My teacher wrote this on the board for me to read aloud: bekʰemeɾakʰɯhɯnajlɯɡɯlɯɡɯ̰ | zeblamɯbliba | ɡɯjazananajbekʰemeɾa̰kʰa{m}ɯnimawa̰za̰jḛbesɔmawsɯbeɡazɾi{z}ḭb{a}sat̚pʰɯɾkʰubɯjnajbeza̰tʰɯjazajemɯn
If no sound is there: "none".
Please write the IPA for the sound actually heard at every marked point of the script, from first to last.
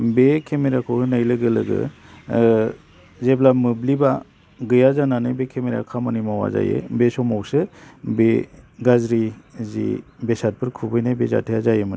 m, z, e

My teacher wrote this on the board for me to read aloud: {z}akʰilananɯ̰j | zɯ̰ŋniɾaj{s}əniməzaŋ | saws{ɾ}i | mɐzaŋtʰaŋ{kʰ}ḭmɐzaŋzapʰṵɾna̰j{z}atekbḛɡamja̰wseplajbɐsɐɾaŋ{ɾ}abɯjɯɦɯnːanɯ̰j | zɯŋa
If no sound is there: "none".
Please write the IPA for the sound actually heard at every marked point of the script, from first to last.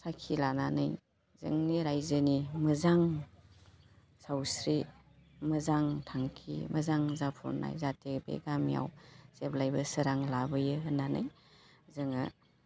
s, z, ɾ, kʰ, z, l

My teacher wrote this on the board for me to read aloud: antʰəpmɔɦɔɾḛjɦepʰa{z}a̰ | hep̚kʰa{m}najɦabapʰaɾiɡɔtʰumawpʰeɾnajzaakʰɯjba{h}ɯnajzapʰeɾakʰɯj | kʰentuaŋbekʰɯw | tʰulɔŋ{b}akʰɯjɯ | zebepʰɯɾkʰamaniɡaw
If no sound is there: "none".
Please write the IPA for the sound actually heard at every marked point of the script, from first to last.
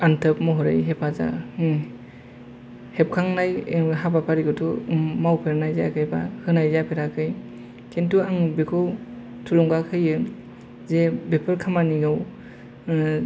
z, ŋ, h, ɡ

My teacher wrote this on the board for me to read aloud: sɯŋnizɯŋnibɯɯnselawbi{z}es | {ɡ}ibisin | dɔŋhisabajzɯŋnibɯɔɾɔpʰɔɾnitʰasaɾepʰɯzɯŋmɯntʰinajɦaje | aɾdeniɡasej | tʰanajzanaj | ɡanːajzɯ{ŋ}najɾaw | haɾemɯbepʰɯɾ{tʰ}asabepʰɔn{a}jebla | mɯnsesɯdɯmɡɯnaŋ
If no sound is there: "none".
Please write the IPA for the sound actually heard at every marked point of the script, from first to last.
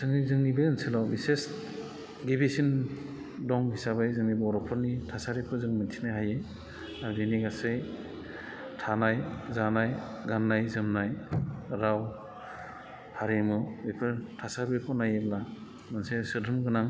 s, ɡ, m, tʰ, a

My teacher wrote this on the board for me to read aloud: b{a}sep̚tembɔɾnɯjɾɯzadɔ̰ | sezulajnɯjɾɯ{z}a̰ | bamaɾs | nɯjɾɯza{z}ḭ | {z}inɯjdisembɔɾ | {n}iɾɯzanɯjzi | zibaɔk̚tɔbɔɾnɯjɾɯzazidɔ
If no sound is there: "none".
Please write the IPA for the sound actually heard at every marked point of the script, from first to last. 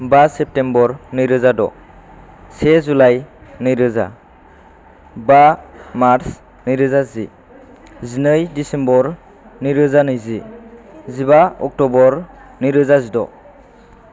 a, z, z, z, n

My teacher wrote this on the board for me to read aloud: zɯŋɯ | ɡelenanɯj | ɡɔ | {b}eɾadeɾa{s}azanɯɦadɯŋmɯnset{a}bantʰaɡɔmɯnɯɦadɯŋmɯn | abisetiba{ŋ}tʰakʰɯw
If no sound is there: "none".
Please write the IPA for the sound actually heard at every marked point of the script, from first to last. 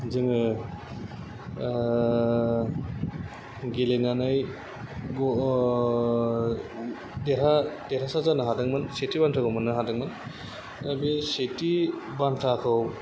d, s, i, n

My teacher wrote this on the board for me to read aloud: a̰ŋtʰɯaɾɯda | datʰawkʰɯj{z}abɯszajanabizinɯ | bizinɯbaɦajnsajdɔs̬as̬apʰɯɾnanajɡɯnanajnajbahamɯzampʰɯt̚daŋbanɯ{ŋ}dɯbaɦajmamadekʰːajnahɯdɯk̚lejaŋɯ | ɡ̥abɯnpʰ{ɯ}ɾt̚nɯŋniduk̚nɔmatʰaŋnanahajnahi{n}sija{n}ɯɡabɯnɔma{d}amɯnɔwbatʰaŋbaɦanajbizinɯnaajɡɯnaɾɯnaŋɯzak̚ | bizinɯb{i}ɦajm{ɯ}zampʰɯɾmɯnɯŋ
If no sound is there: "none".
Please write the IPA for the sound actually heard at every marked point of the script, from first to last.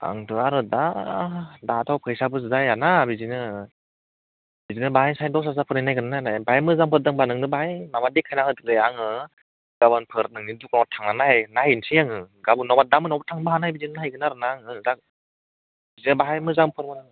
s, ŋ, ɯ, n, ŋ, d, a, ɯ

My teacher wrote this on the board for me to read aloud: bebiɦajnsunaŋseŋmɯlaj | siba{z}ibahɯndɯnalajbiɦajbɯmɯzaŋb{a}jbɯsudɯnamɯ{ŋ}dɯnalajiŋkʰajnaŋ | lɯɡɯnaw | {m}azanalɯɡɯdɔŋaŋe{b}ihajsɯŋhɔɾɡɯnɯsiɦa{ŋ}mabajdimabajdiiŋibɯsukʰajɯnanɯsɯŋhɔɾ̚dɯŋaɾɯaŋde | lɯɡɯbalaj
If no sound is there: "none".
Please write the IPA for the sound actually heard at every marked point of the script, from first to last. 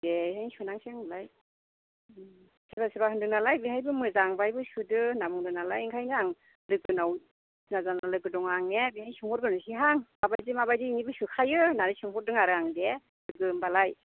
s, a, ŋ, n, b, ŋ

